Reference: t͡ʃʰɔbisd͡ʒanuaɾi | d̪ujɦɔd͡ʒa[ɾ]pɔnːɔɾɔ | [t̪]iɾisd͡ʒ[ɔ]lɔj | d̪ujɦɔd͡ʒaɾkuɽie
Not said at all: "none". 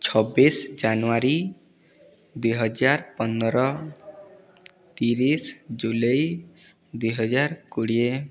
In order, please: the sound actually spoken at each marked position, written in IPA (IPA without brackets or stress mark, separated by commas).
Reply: ɾ, t̪, u